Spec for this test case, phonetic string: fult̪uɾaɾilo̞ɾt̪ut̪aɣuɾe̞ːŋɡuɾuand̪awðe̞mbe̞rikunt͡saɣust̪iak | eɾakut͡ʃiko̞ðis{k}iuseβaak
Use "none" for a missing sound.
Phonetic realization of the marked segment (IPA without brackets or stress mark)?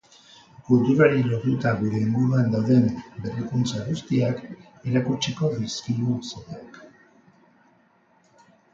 k